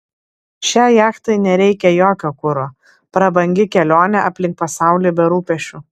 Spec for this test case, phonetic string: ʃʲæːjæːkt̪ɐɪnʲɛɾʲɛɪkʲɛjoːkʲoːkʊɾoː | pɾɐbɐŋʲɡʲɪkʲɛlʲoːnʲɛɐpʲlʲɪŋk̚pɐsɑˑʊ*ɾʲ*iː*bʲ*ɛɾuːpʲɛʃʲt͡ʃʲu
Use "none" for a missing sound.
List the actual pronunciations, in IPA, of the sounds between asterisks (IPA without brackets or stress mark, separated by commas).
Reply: lʲ, bʲ